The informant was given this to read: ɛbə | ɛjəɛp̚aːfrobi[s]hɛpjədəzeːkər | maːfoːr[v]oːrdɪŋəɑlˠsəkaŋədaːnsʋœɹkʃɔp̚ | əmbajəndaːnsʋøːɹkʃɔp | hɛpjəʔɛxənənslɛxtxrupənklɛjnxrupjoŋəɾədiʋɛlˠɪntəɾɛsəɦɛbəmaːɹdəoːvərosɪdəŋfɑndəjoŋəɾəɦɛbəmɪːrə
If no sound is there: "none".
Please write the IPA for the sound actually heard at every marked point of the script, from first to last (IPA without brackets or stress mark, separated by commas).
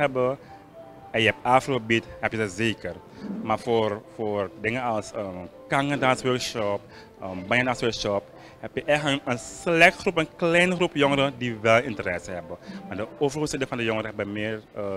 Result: t, f